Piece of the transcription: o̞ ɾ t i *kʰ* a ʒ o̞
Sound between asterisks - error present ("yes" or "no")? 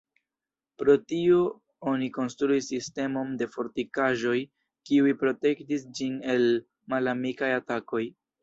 yes